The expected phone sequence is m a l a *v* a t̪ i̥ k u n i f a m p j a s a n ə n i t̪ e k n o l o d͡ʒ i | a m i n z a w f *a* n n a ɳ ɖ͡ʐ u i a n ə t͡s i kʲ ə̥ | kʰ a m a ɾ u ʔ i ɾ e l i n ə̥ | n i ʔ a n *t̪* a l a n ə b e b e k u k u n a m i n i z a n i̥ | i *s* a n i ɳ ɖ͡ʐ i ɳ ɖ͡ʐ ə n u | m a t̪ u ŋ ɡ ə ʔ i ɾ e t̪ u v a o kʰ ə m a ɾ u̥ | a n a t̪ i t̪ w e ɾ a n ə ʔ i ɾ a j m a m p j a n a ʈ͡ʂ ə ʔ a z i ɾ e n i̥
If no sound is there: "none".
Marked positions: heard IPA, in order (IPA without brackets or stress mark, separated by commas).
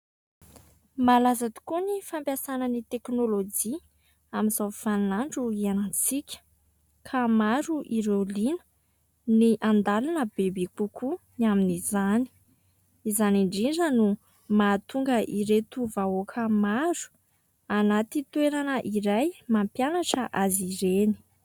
z, a, d̪, z